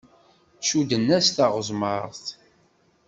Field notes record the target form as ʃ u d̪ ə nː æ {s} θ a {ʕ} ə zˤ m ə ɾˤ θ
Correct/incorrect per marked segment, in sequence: correct, incorrect: ʁ

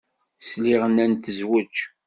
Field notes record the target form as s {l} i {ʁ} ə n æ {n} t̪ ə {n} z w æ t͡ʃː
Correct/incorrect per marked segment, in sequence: correct, correct, correct, incorrect: none

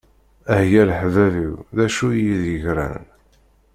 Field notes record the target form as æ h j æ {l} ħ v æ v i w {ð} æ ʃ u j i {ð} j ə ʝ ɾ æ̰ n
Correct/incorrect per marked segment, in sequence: correct, correct, correct

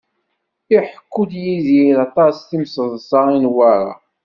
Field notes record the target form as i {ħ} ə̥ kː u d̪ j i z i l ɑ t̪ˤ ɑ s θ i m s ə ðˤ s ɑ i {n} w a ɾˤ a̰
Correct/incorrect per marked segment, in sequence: correct, correct

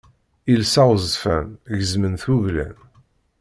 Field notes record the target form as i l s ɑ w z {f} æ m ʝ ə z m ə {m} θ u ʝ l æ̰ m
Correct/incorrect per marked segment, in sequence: correct, incorrect: n

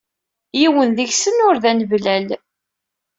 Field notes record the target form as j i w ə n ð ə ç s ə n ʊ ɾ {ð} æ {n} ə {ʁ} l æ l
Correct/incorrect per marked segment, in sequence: correct, correct, incorrect: v

